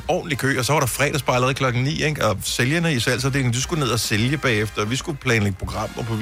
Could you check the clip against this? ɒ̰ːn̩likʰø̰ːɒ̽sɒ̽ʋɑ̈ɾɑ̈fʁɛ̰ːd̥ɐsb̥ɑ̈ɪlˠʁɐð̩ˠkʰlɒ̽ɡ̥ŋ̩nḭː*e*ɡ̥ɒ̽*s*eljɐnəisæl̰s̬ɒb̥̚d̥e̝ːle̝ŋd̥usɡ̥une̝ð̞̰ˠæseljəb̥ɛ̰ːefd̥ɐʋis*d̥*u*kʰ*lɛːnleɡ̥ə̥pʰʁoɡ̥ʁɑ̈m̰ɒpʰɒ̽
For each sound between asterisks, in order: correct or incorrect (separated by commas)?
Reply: correct, correct, incorrect, incorrect